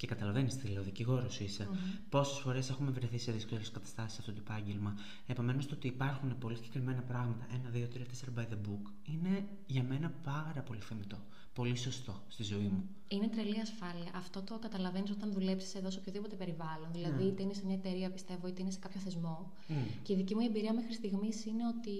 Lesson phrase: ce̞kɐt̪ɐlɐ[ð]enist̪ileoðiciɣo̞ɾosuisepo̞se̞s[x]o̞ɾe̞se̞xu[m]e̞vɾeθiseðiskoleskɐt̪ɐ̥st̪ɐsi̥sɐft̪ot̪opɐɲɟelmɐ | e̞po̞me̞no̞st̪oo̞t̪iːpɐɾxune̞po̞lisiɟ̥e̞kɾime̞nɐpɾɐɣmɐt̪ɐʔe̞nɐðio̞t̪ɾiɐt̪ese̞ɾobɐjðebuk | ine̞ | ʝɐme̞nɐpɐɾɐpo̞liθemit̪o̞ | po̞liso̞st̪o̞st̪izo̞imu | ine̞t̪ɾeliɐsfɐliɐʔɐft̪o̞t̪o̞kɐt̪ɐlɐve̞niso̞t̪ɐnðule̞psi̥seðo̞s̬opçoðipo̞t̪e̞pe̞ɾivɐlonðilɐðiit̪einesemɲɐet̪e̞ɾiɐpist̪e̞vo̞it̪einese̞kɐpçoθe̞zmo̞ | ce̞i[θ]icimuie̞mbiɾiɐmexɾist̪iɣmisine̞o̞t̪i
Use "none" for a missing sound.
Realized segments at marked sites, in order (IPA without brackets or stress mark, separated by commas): v, f, m, ð